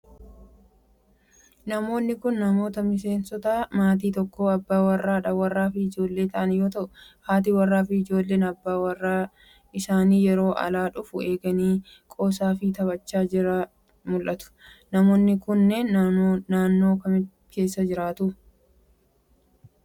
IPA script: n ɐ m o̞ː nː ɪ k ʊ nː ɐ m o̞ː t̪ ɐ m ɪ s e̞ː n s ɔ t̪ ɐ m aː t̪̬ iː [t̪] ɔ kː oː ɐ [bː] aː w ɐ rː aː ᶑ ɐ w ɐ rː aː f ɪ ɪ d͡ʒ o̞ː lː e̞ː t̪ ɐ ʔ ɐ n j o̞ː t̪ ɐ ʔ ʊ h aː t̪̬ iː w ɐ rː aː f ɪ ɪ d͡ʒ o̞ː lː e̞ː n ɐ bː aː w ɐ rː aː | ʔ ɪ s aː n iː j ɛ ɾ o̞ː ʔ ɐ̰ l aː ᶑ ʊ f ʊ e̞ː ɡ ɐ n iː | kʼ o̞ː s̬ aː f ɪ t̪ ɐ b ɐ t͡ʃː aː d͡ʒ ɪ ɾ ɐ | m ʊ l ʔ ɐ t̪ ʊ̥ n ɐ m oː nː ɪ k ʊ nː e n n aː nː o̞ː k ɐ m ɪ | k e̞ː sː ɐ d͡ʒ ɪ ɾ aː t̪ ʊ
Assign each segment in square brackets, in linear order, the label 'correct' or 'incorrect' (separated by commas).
correct, correct